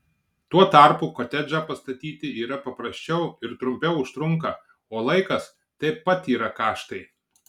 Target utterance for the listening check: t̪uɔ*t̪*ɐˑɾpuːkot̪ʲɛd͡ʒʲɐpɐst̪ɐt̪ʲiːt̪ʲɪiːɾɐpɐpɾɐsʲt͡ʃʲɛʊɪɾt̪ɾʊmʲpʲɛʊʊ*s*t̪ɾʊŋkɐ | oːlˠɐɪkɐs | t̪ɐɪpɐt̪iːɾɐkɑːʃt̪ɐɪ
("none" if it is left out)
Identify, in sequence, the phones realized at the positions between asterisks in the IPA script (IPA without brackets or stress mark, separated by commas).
t̪, ʃ